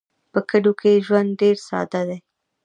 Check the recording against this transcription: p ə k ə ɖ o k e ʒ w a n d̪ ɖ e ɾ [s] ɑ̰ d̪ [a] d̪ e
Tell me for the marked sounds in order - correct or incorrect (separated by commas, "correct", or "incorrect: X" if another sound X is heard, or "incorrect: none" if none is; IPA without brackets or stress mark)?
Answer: correct, correct